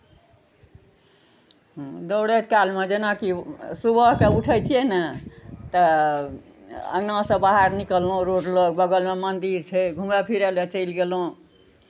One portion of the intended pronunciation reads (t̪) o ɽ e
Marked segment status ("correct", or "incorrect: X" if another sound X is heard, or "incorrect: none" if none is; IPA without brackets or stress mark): incorrect: d̪